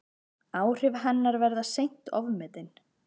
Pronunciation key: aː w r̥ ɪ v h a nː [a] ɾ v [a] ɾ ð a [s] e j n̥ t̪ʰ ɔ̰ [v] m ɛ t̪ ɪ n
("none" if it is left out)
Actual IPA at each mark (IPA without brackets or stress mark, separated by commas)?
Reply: a, ɛ, s, v